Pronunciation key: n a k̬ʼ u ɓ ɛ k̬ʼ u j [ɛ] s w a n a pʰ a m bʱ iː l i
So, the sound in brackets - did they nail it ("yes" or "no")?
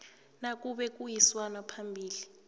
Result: no